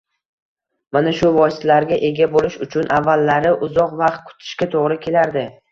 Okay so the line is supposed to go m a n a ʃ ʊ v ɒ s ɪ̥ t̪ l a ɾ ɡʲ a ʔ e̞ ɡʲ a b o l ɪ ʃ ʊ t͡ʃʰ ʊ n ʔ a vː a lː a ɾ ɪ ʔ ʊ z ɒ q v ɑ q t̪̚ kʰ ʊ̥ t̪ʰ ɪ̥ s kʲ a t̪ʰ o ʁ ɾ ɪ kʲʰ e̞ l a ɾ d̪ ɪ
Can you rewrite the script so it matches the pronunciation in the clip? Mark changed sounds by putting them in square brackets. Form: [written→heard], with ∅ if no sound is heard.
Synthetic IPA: m a n a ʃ ʊ v ɒ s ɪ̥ t̪ l a ɾ ɡʲ a ʔ e̞ ɡʲ a b o l ɪ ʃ ʊ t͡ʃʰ ʊ n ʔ a vː a lː a ɾ ɪ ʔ ʊ z ɒ q v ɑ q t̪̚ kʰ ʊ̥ t̪ʰ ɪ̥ [s→ʃ] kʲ a t̪ʰ o ʁ ɾ ɪ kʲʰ e̞ l a ɾ d̪ ɪ